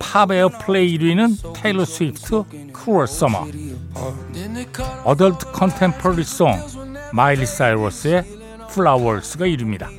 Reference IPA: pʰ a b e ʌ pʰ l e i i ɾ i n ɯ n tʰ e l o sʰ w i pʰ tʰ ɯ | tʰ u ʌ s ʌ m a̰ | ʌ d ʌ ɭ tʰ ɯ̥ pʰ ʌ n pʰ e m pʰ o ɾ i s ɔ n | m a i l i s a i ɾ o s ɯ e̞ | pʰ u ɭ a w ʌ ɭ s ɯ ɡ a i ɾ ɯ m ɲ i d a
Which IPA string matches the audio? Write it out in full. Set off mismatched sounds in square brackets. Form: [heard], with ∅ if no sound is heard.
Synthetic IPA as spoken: pʰ a b e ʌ pʰ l e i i ɾ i n ɯ n tʰ e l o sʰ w i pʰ tʰ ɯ | [kʰ] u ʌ s ʌ m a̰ | ʌ d ʌ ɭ tʰ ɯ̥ [kʰ] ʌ n [tʰ] e m pʰ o ɾ i s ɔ [ŋ] | m a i l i s a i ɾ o s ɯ e̞ | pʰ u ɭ a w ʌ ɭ s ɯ ɡ a i ɾ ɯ m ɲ i d a